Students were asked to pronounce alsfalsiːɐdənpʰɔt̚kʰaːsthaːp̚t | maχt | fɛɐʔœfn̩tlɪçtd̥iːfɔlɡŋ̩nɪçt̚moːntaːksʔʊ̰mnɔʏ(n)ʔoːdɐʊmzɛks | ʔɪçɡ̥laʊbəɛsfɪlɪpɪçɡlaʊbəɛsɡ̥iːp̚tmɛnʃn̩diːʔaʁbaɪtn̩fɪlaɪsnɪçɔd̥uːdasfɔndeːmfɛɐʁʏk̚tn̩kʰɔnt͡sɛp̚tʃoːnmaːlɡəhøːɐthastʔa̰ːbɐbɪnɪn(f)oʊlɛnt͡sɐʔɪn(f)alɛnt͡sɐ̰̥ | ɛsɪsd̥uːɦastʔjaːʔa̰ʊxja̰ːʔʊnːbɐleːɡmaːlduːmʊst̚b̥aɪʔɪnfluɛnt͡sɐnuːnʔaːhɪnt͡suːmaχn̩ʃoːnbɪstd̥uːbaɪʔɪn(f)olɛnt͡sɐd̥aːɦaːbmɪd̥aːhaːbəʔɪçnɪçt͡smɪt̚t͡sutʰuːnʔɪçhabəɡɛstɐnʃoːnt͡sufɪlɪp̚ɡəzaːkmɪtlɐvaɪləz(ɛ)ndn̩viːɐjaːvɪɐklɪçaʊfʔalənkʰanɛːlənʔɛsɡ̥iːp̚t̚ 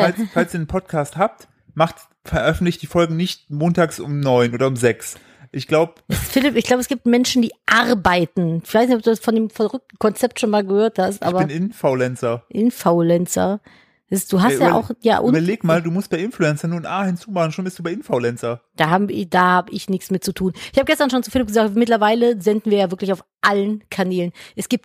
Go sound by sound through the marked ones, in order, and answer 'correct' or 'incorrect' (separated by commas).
correct, correct, correct, correct, correct